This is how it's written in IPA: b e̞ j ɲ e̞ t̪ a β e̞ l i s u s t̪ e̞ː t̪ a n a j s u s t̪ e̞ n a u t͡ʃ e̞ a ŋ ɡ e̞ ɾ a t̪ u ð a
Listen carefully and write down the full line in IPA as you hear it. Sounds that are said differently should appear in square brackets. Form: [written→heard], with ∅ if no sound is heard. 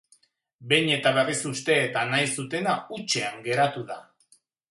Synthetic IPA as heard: b e̞ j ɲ e̞ t̪ a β e̞ [l→r] i s u s t̪ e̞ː t̪ a n a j s u [s→∅] t̪ e̞ n a u t͡ʃ e̞ a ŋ ɡ e̞ ɾ a t̪ u ð a